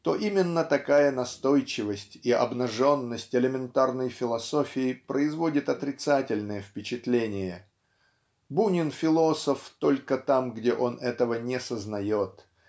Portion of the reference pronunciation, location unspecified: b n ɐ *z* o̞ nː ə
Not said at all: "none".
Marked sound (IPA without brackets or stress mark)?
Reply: ʐ